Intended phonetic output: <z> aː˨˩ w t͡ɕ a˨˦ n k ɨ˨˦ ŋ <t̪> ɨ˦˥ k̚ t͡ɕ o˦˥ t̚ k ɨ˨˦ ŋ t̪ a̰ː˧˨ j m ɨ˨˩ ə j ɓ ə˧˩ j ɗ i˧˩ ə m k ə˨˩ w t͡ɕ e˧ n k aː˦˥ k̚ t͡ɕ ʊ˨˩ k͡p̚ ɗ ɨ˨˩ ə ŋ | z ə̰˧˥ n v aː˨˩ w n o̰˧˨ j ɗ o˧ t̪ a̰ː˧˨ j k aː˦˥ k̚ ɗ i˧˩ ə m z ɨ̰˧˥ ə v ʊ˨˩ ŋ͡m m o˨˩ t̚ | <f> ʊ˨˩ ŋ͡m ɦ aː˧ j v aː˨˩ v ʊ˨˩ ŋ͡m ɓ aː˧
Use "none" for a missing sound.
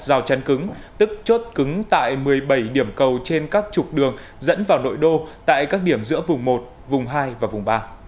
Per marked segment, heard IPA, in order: z, t̪, v

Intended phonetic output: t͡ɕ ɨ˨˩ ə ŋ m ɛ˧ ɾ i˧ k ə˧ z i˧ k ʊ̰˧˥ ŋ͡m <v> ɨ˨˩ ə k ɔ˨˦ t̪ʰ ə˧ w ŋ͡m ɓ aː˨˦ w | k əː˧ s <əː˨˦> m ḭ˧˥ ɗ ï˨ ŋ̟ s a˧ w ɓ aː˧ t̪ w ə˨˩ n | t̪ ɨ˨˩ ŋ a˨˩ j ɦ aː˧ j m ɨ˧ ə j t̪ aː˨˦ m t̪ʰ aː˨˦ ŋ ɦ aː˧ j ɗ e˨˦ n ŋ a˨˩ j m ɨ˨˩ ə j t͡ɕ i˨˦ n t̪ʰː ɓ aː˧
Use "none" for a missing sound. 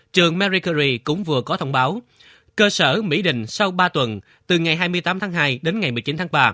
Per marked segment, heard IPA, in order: v, əː˧˩

